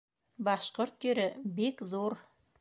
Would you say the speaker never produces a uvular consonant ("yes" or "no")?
no